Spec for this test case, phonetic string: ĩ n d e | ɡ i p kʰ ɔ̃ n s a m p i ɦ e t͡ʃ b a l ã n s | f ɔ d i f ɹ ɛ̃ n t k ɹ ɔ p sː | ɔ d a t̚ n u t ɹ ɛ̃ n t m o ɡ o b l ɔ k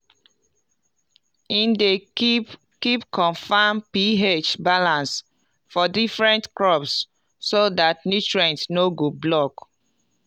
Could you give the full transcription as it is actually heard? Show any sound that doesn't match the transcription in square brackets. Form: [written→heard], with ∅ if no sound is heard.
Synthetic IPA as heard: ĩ n d e | [ɡ→k] i p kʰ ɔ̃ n [s→f] a m p i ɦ e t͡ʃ b a l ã n s | f ɔ d i f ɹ ɛ̃ n t k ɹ ɔ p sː | [ɔ→o] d a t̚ n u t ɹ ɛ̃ n t [m→n] o ɡ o b l ɔ k